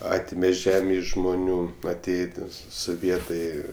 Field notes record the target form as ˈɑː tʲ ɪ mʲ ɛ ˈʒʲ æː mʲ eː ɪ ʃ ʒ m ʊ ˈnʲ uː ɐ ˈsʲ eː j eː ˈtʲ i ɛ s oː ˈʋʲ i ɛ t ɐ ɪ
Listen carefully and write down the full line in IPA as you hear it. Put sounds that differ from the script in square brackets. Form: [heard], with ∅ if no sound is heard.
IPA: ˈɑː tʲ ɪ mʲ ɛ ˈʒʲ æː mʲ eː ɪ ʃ ʒ m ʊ ˈnʲ uː ɐ [ˈtʲ] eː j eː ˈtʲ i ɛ s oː ˈʋʲ i ɛ t ɐ ɪ